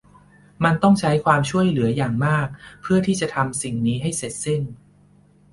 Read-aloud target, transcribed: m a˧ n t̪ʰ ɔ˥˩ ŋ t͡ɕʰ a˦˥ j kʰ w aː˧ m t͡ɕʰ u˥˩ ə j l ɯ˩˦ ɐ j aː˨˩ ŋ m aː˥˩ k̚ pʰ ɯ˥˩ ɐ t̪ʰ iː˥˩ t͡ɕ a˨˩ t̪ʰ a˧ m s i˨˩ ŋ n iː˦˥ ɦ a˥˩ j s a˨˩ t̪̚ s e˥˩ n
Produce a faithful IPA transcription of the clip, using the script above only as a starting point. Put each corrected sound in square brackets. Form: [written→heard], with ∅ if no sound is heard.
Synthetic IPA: m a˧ n [t̪ʰ→t̪] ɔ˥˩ ŋ t͡ɕʰ a˦˥ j kʰ w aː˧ m t͡ɕʰ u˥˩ ə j l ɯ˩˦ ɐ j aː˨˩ ŋ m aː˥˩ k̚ pʰ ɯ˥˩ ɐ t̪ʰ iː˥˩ t͡ɕ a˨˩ t̪ʰ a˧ m s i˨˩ ŋ n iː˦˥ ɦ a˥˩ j s [a˨˩→e˨˩] t̪̚ s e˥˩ n

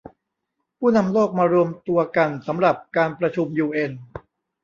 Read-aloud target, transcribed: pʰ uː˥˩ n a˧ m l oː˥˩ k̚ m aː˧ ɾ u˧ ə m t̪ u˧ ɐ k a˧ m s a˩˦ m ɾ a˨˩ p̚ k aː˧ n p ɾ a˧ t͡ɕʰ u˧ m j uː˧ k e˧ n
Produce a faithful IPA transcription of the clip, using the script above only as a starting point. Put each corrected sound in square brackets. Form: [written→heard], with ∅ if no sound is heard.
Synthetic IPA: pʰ uː˥˩ n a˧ m l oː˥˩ k̚ m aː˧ ɾ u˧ ə m t̪ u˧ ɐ k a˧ [m→n] s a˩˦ m ɾ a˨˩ p̚ k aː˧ n p ɾ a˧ t͡ɕʰ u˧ m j uː˧ [k→ʔ] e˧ n

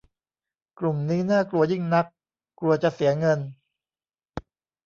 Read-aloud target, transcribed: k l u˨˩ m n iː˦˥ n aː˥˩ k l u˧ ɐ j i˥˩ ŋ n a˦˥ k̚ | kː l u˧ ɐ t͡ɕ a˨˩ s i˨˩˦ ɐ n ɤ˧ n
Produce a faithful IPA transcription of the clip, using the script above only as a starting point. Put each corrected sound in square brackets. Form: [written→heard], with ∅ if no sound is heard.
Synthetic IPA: k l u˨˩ m n iː˦˥ n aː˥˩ k l u˧ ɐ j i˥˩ ŋ n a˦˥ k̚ | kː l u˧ ɐ t͡ɕ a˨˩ s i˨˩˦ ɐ [n→ŋ] ɤ˧ n

